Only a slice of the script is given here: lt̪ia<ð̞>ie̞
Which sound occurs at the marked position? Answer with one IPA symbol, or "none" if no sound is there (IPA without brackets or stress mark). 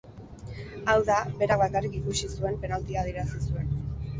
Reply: ð̞